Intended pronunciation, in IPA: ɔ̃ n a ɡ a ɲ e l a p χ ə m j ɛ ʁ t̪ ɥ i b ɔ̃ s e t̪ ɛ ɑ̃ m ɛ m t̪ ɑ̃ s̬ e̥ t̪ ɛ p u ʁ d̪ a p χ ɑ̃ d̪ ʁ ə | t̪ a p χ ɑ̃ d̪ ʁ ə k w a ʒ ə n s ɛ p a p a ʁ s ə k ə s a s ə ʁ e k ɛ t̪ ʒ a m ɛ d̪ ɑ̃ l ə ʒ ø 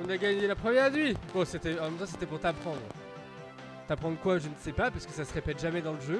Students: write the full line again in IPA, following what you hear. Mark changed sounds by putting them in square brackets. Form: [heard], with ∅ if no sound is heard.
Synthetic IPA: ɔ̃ n a ɡ a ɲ e l a p χ ə m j ɛ ʁ [d̪] ɥ i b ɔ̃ s e t̪ ɛ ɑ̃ m ɛ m t̪ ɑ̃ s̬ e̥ t̪ ɛ p u ʁ [t̪] a p χ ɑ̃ d̪ ʁ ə | t̪ a p χ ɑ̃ d̪ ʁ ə k w a ʒ ə n s ɛ p a p a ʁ s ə k ə s a s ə ʁ e [p] ɛ t̪ ʒ a m ɛ d̪ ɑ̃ l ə ʒ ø